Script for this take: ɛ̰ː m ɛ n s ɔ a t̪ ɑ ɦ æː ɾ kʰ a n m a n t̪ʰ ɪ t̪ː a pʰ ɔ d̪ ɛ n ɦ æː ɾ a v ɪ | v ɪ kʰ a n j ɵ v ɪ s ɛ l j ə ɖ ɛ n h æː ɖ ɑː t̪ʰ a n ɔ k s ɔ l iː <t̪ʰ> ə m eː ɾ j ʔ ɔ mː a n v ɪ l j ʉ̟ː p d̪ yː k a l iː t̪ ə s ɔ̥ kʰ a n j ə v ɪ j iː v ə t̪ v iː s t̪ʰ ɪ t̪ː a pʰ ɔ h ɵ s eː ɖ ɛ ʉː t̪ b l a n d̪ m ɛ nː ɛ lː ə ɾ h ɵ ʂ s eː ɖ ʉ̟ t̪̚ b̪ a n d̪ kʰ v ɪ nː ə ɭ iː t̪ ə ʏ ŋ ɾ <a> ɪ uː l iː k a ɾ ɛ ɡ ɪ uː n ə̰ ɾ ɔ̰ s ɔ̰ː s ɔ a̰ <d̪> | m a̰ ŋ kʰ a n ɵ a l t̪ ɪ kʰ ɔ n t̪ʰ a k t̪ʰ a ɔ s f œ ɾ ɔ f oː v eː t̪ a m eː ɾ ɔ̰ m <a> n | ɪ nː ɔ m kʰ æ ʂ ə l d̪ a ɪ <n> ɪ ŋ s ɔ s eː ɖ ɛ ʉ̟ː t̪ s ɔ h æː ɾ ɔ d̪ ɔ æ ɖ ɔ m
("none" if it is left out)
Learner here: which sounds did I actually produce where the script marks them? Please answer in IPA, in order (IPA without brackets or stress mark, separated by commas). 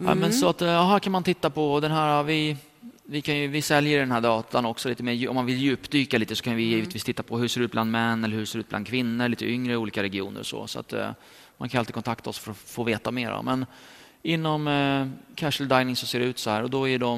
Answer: t̪, ə, t̪, ɛ, n